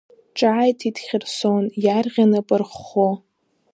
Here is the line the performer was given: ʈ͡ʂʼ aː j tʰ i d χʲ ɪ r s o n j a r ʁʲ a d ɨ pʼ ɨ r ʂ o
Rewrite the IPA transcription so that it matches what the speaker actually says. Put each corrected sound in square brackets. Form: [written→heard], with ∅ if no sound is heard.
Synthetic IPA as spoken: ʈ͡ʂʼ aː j tʰ i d χʲ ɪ r s o n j a r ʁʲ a [d→n] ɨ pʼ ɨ r [ʂ→χ] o